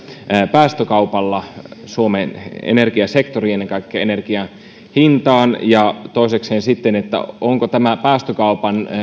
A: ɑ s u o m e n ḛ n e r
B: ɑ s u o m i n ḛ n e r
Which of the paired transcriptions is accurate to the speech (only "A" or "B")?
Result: A